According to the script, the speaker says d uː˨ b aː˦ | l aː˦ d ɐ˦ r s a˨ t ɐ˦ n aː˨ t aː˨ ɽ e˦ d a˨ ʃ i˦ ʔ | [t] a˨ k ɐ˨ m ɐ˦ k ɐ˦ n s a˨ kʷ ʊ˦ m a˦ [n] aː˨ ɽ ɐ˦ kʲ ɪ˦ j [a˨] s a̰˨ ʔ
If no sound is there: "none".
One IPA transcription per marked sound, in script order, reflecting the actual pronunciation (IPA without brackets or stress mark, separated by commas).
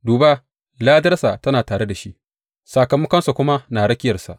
s, n, ɐ˨